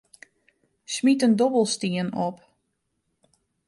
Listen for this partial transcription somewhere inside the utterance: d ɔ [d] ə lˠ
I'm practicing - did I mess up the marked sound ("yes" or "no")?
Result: yes